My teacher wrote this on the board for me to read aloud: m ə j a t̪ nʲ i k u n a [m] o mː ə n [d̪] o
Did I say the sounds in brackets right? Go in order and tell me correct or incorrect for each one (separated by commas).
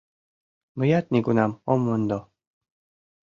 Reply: correct, correct